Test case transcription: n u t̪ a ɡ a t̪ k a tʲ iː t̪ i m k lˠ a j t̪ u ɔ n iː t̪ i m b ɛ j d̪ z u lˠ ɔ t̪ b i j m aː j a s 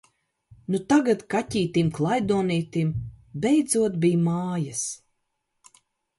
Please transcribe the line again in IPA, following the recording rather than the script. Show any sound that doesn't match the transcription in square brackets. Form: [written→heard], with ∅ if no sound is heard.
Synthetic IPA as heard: n u t̪ a ɡ a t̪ k a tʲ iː t̪ i m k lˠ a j [t̪→d̪] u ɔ n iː t̪ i m b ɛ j d̪ z u [lˠ→∅] ɔ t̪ b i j m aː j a s